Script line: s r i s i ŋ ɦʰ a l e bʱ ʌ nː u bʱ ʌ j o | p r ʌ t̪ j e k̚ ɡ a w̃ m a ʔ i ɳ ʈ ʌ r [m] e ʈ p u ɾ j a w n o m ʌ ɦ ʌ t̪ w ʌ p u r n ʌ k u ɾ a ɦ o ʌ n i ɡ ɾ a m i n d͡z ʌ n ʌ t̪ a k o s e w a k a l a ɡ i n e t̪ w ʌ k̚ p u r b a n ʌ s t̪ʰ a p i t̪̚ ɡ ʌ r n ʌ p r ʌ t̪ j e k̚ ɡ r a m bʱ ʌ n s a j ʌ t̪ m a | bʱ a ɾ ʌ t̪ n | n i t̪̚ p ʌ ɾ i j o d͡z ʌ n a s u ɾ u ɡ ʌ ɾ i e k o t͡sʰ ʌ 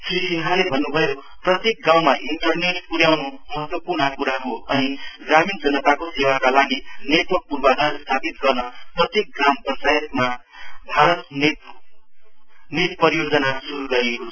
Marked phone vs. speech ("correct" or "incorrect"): incorrect